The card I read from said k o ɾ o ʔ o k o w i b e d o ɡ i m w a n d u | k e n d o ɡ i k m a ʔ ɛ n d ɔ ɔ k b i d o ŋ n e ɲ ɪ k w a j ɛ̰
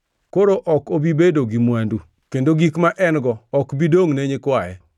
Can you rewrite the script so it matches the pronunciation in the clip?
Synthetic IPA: k o ɾ o ʔ ɔ k o b i b e d o ɡ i m w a n d u | k e n d o ɡ i k m a ʔ ɛ n ɡ ɔ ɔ k b i d o ŋ n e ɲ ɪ k w a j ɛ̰

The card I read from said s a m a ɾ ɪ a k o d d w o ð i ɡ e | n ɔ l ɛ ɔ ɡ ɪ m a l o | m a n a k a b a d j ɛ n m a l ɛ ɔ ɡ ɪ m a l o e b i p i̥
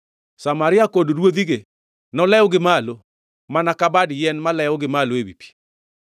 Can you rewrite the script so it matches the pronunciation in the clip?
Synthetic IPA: s a m a ɾ ɪ a k o d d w o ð i ɡ e | n ɔ l ɛ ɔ ɡ ɪ m a l o | m a n a k a b a d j ɛ n m a l ɛ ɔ ɡ ɪ m a l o e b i p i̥

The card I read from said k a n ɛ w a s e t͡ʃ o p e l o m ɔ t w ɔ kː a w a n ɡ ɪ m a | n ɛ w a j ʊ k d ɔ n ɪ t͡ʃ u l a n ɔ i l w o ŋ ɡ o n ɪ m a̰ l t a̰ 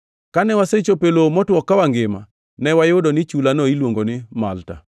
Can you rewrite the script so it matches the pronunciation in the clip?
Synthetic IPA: k a n ɛ w a s e t͡ʃ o p e l o m ɔ t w ɔ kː a w a ŋ ɡ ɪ m a | n ɛ w a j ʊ d ɔ n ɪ t͡ʃ u l a n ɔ i l w o ŋ ɡ o n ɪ m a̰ l t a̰

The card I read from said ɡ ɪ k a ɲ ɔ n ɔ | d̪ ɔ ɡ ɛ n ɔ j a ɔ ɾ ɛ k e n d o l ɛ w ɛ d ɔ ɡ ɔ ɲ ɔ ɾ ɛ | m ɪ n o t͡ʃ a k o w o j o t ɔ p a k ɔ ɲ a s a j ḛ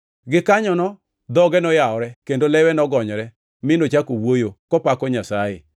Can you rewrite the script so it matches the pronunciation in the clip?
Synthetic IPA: ɡ ɪ k a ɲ ɔ n ɔ | d̪ ɔ ɡ ɛ n ɔ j a ɔ ɾ ɛ k e n d o l ɛ w ɛ n ɔ ɡ ɔ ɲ ɔ ɾ ɛ | m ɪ n o t͡ʃ a k o w o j o k ɔ p a k ɔ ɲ a s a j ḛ

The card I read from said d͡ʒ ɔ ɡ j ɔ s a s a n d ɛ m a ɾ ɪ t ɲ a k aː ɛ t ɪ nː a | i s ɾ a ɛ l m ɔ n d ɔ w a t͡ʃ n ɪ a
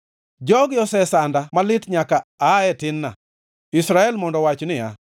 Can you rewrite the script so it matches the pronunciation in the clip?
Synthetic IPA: d͡ʒ ɔ ɡ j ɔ s ɛ s a n d a m a l ɪ t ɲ a k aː ɛ t ɪ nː a | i s ɾ a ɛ l m ɔ n d ɔ w a t͡ʃ n ɪ a

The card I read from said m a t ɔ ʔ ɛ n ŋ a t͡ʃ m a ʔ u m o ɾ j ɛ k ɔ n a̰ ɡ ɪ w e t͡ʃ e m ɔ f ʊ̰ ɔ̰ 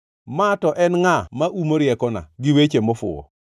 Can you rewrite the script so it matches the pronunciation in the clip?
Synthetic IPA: m a t ɔ ʔ ɛ n ŋ a m a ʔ u m o ɾ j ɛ k ɔ n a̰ ɡ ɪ w e t͡ʃ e m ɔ f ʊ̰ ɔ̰

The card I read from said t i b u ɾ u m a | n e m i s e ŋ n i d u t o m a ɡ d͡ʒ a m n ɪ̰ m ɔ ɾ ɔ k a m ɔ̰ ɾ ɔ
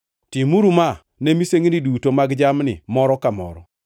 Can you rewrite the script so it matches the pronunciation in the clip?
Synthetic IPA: t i m u ɾ u m a | n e m i s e ŋ n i d u t o m a ɡ d͡ʒ a m n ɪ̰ m ɔ ɾ ɔ k a m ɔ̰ ɾ ɔ

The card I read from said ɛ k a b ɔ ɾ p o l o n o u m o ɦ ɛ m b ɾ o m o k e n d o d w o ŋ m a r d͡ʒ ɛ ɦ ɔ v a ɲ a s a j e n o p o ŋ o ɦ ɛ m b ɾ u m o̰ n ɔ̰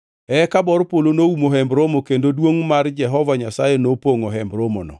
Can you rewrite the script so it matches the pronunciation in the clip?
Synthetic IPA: ɛ k a b ɔ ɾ p o l o n o u m o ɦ ɛ m b ɾ o m o k e n d o d w o ŋ m a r d͡ʒ ɛ ɦ ɔ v a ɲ a s a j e n o p o ŋ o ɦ ɛ m b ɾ o m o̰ n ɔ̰

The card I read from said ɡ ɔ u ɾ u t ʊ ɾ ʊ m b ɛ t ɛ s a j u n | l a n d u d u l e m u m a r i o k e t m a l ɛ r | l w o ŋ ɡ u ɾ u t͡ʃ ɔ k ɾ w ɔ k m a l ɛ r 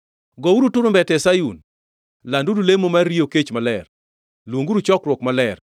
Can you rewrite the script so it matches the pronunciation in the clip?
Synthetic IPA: ɡ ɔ u ɾ u t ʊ ɾ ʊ m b ɛ t ɛ s a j u n | l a n d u d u l e m o m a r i o k e t͡ʃ m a l ɛ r | l w o ŋ ɡ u ɾ u t͡ʃ ɔ k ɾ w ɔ k m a l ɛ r

